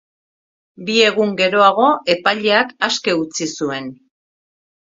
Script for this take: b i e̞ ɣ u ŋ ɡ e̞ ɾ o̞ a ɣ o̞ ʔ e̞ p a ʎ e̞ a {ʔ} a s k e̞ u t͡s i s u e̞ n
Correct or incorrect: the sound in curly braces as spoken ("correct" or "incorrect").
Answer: incorrect